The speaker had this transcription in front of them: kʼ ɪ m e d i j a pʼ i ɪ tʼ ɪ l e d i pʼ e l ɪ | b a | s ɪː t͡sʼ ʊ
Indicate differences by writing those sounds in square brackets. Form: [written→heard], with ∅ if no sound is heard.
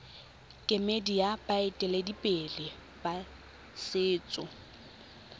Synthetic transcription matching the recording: kʼ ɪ m e d i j a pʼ [i→a] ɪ tʼ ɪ l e d i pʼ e l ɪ | b a | s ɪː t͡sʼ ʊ